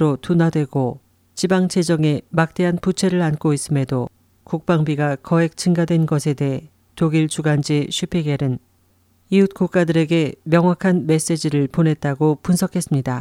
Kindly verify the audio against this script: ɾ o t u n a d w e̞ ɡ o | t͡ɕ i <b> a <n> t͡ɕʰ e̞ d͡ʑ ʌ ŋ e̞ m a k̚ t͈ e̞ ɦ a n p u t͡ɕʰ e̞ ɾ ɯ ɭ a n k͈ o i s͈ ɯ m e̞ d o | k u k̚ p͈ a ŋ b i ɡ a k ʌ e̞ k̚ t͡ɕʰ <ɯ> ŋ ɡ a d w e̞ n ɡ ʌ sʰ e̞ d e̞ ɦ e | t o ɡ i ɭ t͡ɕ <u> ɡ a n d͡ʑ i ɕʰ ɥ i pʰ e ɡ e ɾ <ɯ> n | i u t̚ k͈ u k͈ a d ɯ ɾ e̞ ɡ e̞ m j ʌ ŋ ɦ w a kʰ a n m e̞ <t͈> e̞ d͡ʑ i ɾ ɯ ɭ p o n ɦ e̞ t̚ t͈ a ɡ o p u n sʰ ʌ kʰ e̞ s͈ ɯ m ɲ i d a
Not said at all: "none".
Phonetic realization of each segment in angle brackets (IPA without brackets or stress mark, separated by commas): b, ŋ, ɯ, u, ɯ, s͈